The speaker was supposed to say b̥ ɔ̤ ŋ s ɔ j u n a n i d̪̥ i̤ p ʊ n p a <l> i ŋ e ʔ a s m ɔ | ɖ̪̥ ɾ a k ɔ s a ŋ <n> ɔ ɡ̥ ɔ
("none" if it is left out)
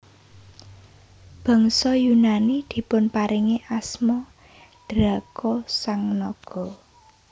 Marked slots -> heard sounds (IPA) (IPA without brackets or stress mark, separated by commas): ɾ, n